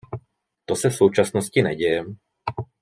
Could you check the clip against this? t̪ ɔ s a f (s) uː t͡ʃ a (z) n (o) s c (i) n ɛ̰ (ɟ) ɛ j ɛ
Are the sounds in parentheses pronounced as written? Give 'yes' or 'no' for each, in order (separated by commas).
yes, no, no, yes, yes